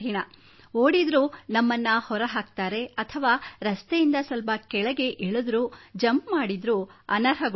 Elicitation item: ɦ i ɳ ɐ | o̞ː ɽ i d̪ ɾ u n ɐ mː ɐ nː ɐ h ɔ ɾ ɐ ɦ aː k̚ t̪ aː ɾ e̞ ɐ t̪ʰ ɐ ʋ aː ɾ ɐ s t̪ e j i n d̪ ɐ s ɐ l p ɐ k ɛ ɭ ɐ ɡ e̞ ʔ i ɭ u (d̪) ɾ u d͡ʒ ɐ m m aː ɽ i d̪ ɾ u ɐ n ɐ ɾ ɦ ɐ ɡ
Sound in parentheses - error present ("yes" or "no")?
no